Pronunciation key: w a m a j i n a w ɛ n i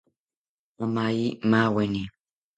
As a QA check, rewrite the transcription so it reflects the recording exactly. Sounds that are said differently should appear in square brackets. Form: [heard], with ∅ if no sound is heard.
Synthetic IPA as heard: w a m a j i [m] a w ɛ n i